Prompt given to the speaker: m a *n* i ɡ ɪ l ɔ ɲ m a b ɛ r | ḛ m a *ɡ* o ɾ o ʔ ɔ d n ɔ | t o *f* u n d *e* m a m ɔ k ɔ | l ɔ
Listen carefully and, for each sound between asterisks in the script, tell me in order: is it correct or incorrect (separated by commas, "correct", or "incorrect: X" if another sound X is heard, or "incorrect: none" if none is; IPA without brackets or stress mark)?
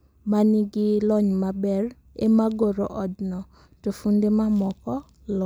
correct, correct, correct, correct